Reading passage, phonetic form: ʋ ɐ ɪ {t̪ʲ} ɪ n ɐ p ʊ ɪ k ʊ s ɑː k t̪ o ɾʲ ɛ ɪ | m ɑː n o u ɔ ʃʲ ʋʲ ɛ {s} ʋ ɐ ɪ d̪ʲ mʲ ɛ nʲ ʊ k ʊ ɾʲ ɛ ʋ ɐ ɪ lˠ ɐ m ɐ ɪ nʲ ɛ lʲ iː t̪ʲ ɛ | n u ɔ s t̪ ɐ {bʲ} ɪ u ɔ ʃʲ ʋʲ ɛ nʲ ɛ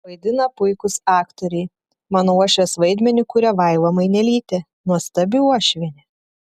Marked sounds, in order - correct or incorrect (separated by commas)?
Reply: incorrect, correct, correct